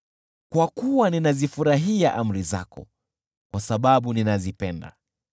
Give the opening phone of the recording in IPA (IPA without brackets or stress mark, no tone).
k